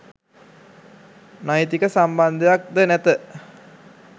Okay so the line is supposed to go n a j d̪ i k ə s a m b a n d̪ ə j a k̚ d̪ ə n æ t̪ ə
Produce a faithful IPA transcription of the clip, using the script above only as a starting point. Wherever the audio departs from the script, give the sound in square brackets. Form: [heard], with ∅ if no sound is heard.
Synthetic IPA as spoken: n a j [t̪] i k ə s a m b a n d̪ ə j a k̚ d̪ ə n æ t̪ ə

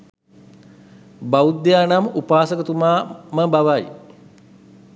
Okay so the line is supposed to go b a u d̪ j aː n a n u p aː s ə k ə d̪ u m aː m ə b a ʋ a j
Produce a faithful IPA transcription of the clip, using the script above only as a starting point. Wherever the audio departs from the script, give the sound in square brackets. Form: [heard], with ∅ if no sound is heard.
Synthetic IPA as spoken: b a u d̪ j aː n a [m] u p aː s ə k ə [t̪] u m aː m ə b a ʋ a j

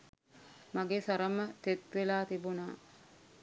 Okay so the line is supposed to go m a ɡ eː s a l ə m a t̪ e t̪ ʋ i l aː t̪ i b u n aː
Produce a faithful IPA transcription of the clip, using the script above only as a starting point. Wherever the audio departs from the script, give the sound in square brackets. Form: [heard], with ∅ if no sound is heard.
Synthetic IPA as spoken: m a ɡ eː s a [ɾ] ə m [ə] t̪ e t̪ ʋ [e] l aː t̪ i b u n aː

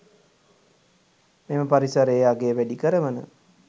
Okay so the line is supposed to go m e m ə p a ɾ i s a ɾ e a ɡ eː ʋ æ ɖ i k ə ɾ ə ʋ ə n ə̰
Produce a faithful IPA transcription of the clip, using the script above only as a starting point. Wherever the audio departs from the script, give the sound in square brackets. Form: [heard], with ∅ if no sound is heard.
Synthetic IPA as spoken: m e m ə p a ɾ i s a ɾ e a ɡ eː ʋ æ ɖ i k ə ɾ ə ʋ ə n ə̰

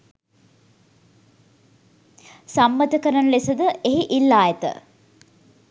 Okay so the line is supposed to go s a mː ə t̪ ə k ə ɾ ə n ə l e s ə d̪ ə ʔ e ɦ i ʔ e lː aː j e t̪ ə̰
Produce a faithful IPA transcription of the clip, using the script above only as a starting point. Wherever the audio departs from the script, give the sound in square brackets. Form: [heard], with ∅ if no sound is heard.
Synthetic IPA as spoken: s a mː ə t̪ ə k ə ɾ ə n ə l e s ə d̪ ə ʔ e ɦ i ʔ [i] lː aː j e t̪ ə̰

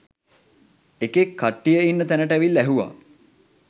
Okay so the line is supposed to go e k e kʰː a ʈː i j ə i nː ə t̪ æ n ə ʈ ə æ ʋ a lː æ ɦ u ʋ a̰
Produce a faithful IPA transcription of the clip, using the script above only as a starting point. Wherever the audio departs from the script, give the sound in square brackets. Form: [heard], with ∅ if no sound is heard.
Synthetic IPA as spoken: e k e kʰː a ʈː i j ə i nː ə t̪ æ n ə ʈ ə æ ʋ [i] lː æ ɦ u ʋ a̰

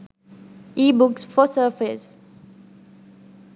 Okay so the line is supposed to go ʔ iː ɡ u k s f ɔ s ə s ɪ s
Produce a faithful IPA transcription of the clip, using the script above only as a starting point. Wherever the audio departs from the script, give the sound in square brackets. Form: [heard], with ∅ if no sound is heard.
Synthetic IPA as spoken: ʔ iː [b] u k s f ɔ s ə [f] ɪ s

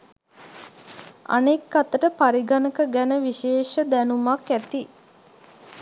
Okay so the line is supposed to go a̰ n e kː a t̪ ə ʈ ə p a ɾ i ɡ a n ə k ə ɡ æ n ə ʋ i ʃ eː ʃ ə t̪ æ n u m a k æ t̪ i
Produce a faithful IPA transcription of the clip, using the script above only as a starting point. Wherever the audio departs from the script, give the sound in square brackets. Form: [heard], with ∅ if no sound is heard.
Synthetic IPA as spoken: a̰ n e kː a t̪ ə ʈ ə p a ɾ i ɡ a n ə k ə ɡ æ n ə ʋ i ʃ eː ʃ ə [d̪] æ n u m a k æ t̪ i

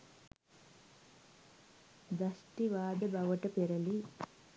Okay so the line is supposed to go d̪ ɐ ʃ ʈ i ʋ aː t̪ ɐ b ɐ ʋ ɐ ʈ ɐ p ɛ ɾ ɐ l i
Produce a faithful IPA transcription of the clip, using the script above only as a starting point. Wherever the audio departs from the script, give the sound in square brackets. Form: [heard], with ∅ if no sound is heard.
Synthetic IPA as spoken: d̪ ɐ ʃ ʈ i ʋ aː [d̪] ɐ b ɐ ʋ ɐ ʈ ɐ p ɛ ɾ ɐ l i

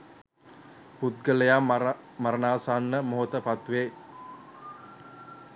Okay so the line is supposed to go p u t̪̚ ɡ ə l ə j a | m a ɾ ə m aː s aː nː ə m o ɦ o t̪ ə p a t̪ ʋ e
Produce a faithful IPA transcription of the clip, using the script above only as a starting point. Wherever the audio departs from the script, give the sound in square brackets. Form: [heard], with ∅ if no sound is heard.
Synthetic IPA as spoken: p u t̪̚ ɡ ə l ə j a | m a ɾ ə [n] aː s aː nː ə m o ɦ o t̪ ə p a t̪ ʋ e

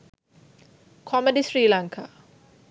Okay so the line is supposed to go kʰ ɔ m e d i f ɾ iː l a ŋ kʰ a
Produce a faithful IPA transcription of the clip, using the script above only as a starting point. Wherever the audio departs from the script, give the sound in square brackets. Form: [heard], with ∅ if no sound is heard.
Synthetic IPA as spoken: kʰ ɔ m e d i [s] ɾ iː l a ŋ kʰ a

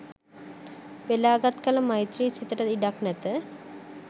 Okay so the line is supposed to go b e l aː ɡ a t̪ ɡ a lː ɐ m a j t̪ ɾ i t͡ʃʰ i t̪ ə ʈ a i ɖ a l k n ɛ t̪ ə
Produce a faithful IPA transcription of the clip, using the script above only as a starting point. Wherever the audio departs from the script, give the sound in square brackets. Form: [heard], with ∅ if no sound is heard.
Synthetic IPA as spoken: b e l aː ɡ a t̪ [k] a [l] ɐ m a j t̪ ɾ i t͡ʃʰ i t̪ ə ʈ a i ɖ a [∅] k n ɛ t̪ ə

